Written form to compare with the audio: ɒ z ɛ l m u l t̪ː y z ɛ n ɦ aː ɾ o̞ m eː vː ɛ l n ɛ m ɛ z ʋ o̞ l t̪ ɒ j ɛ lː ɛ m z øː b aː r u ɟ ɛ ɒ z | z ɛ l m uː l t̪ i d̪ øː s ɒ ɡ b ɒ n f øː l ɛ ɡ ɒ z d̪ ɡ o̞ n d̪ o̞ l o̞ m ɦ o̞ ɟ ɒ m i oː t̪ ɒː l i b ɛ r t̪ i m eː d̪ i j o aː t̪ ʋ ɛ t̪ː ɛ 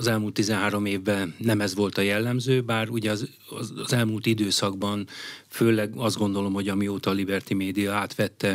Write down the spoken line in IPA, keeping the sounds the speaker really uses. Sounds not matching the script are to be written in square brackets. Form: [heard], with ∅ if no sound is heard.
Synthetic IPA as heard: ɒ z ɛ l m u l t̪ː [i] z ɛ n ɦ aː ɾ o̞ m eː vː ɛ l n ɛ m ɛ z ʋ o̞ l t̪ ɒ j ɛ lː ɛ m z øː b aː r u ɟ ɛ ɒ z | z ɛ l m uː l t̪ i d̪ øː s ɒ ɡ b ɒ n f øː l ɛ ɡ ɒ z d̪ ɡ o̞ n d̪ o̞ l o̞ m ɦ o̞ ɟ ɒ m i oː t̪ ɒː l i b ɛ r t̪ i m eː d̪ i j [ɒ] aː t̪ ʋ ɛ t̪ː ɛ